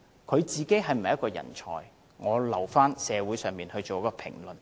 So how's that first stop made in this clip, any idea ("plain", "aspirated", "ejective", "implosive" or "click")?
aspirated